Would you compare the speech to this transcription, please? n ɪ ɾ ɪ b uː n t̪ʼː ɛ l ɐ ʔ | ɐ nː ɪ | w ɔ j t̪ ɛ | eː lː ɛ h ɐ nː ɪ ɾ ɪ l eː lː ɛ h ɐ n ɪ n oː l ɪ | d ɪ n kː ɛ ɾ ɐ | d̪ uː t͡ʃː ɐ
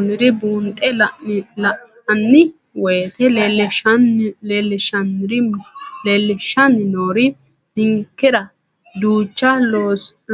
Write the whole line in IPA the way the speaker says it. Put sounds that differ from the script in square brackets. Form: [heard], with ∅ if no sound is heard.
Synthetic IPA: n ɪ ɾ ɪ b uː n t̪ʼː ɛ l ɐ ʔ | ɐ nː ɪ | w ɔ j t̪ ɛ | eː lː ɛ [ʃ] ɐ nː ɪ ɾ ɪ l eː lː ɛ [ʃ] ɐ n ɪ n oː [ɾ] ɪ | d ɪ [ŋ] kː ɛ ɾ ɐ | d̪ uː t͡ʃː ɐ